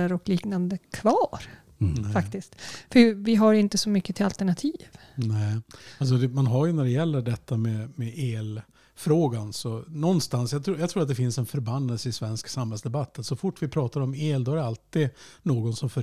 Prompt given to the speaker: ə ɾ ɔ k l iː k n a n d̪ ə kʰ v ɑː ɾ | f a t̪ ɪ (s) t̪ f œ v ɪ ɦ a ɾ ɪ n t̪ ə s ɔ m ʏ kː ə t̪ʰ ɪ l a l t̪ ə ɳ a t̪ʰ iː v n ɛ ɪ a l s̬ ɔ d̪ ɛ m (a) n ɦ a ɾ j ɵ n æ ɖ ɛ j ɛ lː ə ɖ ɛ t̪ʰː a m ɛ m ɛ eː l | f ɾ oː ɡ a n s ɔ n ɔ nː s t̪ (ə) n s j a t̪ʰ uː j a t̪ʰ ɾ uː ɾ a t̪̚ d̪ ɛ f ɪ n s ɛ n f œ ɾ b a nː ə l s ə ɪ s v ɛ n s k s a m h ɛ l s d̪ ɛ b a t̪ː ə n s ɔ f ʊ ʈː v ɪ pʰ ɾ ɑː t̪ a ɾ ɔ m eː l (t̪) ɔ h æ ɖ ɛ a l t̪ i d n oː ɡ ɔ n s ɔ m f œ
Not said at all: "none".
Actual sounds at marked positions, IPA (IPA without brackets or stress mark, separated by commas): s, a, a, d̪